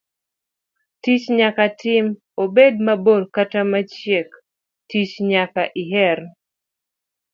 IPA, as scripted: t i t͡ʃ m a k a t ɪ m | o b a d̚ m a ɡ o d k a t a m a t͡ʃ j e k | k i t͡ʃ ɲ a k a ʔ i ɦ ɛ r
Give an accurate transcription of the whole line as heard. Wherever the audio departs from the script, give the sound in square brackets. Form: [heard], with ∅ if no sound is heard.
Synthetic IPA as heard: t i t͡ʃ [ɲ] a k a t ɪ m | o b [e] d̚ m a [b] o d k a t a m a t͡ʃ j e k | [t] i t͡ʃ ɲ a k a ʔ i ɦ ɛ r

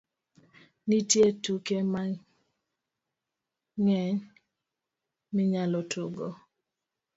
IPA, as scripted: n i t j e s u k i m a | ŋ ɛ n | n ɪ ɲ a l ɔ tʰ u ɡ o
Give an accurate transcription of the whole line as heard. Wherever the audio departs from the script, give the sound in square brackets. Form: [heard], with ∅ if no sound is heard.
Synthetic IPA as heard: n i t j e [t] u k [e] m a | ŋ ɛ [ɲ] | [m] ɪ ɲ a l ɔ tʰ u ɡ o

